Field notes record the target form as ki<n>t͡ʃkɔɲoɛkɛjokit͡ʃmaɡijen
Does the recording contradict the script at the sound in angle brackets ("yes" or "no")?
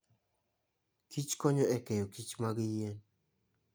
yes